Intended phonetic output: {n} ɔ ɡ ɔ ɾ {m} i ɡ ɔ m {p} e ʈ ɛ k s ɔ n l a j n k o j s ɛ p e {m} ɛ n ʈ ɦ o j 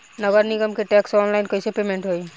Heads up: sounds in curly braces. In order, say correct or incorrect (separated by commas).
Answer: correct, incorrect, incorrect, correct